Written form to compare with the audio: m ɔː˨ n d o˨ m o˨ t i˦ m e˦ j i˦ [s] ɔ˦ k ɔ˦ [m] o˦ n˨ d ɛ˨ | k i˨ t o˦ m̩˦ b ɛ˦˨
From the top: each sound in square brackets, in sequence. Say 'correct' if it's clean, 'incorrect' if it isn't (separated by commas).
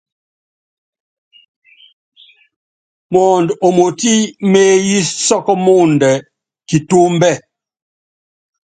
correct, correct